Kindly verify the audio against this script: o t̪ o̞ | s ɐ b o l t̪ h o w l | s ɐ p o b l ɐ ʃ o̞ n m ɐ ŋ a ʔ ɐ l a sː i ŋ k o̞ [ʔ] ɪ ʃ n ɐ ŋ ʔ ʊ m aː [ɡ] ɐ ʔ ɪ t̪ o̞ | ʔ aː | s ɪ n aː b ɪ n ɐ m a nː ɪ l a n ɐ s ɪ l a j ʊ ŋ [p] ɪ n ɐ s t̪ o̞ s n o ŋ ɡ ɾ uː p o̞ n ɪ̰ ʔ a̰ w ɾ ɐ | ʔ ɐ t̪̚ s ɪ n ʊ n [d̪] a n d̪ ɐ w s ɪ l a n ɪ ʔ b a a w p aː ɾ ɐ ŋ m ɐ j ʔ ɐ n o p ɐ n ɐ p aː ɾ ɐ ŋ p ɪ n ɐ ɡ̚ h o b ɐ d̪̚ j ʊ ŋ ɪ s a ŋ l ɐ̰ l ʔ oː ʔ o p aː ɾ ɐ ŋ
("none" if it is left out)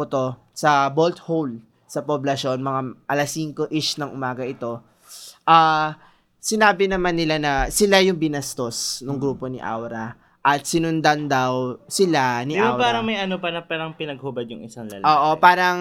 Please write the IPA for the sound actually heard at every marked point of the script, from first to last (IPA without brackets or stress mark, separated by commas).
ʔ, ɡ, b, d̪